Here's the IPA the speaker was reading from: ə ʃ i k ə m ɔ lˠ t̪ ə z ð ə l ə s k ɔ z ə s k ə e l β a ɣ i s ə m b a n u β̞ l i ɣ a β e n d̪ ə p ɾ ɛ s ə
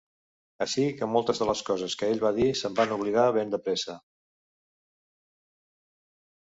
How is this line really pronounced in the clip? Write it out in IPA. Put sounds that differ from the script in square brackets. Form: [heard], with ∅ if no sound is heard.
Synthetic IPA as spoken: ə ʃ i k ə m ɔ lˠ t̪ ə z ð ə l ə s k ɔ z ə s k ə e [ʎ] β a [ð] i s ə m b a n u β̞ l i ɣ a β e n d̪ ə p ɾ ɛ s ə